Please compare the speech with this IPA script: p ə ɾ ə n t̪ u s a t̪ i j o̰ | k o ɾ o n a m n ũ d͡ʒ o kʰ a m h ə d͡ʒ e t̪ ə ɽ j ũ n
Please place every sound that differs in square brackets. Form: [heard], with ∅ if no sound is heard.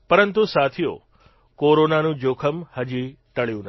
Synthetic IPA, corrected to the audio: p ə ɾ ə n t̪ u s a [t̪ʰ] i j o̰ | k o ɾ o n a [∅] n ũ d͡ʒ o kʰ [ə] m h ə d͡ʒ [i] t̪ ə [ɭ] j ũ n